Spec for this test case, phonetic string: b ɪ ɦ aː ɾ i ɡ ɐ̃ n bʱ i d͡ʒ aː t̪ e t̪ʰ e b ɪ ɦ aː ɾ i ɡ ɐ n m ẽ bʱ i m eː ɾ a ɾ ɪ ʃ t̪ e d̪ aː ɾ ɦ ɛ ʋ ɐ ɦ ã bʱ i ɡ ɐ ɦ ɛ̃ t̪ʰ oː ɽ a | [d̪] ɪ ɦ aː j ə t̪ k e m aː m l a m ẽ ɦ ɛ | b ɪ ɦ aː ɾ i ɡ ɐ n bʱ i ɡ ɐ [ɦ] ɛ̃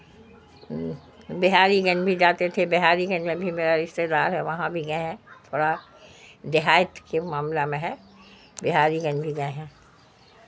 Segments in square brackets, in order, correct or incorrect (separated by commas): correct, correct